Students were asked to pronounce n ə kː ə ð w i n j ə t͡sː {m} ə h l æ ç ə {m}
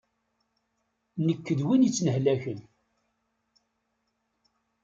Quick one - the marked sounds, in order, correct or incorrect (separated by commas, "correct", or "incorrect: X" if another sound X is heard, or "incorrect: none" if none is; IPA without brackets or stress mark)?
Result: incorrect: n, incorrect: n